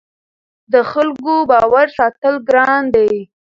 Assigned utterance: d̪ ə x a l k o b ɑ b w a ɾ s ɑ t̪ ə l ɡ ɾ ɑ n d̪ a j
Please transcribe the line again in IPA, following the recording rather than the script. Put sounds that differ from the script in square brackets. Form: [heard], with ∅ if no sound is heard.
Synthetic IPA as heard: d̪ ə x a l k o b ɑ [∅] w a ɾ s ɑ t̪ ə l ɡ ɾ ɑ n d̪ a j